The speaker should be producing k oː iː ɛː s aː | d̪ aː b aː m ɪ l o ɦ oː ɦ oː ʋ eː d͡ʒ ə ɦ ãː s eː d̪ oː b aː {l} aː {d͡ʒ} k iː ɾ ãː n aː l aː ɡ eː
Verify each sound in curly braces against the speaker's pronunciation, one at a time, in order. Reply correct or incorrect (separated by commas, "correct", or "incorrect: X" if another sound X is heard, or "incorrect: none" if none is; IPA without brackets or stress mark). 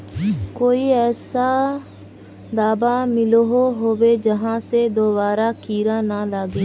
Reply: incorrect: ɾ, incorrect: none